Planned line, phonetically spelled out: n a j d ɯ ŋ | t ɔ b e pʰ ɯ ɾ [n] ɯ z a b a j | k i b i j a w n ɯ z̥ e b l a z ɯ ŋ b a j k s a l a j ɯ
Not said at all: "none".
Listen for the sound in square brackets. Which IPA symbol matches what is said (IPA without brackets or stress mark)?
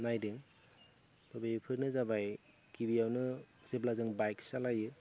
n